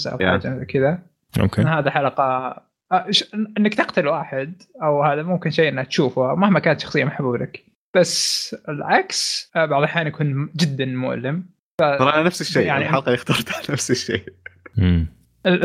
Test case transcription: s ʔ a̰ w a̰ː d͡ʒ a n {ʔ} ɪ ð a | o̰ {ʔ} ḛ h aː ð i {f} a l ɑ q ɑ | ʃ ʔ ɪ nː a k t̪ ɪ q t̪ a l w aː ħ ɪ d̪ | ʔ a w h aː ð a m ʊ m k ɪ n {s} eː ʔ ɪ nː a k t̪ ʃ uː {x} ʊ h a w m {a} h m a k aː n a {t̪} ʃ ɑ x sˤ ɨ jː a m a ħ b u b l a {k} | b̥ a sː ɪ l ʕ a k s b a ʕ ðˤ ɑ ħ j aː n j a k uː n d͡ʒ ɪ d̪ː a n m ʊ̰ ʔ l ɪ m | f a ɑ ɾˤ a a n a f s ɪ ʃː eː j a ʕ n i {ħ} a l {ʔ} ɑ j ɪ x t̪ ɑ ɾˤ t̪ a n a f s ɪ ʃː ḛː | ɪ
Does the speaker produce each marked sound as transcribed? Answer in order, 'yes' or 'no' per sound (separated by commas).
no, no, no, no, no, yes, yes, yes, yes, no